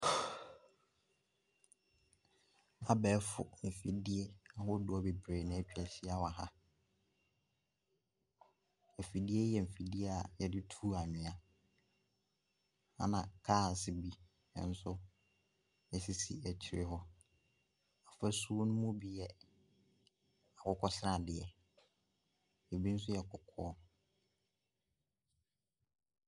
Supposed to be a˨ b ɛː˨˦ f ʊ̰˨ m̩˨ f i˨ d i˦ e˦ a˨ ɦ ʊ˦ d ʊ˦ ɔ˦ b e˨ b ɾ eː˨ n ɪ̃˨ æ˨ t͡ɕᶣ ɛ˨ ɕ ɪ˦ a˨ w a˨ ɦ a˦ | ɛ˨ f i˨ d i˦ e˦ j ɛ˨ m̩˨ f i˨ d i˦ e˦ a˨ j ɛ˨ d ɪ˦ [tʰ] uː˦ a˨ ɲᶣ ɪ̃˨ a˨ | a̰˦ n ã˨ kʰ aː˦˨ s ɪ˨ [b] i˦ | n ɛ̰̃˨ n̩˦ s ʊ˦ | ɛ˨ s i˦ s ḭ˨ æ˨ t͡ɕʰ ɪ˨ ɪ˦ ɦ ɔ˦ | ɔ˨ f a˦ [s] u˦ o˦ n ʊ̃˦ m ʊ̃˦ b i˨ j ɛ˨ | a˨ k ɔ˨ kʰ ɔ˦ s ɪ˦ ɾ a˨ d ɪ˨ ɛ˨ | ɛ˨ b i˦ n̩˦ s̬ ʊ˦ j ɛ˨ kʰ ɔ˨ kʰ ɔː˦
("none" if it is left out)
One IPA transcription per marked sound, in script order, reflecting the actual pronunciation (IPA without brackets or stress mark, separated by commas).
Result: tʰ, b, s